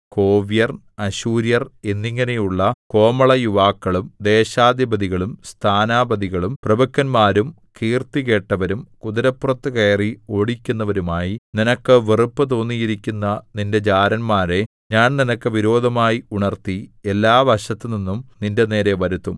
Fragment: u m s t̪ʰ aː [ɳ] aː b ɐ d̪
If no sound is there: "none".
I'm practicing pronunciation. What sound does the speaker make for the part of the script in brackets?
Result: n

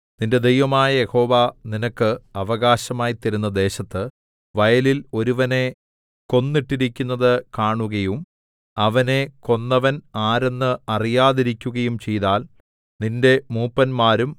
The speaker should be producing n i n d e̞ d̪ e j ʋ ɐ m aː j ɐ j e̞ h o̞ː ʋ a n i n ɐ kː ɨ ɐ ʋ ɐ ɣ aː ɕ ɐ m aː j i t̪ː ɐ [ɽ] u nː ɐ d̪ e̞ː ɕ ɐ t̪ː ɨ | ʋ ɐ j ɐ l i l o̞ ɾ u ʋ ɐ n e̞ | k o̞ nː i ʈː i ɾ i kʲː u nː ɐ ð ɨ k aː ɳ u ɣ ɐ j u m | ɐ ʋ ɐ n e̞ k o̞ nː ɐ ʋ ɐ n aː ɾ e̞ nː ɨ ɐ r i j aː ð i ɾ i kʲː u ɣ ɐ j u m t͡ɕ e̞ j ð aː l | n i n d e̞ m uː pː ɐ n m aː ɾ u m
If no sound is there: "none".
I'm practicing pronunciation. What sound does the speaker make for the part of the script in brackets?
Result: ɾ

